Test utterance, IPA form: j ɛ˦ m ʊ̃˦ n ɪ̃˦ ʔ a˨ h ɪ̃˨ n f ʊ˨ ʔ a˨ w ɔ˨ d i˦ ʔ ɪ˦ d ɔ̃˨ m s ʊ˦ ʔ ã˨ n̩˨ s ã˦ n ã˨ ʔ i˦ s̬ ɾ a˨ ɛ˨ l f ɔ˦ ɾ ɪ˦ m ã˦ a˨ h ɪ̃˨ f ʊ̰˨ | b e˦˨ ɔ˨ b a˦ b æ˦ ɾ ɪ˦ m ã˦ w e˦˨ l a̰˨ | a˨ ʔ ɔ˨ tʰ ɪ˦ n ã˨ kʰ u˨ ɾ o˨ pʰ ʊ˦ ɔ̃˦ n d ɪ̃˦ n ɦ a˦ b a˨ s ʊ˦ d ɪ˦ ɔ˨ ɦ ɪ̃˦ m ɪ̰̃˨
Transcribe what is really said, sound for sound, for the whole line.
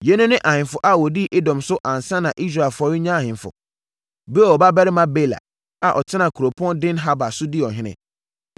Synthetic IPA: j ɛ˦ n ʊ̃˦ n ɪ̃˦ ʔ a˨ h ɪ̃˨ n f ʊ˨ ʔ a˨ w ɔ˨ d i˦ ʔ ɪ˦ d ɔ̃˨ m s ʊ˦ ʔ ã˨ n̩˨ s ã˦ n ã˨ ʔ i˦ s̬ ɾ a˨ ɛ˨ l f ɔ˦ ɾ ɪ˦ ɲ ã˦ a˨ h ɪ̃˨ f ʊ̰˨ | b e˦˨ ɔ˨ b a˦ b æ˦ ɾ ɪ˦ m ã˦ b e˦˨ l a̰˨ | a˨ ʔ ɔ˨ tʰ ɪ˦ n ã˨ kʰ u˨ ɾ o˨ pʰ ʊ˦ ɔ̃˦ n d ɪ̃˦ n ɦ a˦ b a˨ s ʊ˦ d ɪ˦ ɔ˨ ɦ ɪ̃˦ n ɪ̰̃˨